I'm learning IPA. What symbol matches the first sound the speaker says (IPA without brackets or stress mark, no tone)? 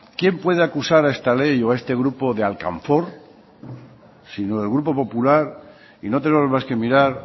k